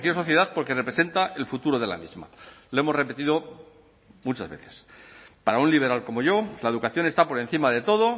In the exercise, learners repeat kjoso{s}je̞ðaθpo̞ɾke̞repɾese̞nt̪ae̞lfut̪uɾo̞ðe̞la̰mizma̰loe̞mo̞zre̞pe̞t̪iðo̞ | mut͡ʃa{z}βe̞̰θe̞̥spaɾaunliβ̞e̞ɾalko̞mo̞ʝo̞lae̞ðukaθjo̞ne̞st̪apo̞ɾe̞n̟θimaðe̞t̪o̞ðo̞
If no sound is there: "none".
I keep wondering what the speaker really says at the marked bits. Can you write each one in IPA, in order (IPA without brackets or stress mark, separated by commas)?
θ, z